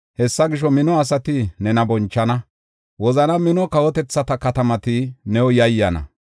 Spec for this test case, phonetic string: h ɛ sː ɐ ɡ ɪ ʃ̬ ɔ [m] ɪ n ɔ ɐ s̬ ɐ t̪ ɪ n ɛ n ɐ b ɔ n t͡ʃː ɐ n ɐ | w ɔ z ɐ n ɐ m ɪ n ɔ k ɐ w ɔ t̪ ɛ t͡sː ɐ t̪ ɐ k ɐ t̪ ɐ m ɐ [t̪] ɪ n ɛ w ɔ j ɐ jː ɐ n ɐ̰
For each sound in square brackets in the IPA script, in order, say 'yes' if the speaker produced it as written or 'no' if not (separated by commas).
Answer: yes, yes